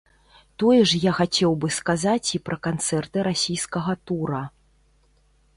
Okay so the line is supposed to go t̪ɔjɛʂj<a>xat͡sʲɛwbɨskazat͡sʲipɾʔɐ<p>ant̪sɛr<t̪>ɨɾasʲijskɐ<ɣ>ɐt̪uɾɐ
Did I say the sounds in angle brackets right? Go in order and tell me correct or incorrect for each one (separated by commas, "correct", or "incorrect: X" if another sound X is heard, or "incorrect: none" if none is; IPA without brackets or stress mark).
correct, incorrect: k, correct, correct